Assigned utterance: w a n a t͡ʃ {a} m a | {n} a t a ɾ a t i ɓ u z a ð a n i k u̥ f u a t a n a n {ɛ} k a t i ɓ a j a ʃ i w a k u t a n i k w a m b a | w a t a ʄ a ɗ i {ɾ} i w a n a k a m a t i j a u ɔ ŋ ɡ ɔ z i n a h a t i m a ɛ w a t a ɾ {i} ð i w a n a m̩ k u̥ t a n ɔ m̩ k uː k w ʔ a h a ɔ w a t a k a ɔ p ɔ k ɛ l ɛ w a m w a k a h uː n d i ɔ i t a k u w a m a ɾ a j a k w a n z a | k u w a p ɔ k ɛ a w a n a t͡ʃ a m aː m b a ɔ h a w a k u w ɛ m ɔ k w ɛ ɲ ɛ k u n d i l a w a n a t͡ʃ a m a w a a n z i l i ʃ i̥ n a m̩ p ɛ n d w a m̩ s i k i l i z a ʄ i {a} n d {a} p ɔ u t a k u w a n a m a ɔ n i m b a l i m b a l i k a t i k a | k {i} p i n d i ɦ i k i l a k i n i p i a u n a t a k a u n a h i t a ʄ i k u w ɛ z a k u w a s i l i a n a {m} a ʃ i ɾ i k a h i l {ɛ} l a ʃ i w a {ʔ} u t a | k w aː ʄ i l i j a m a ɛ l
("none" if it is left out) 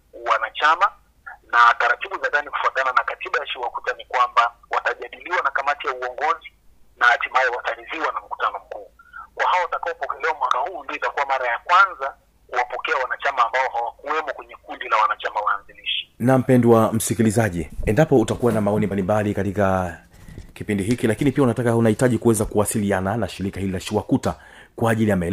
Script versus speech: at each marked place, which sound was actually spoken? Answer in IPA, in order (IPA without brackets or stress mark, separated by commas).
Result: a, n, a, l, i, ɛ, a, i, n, i, k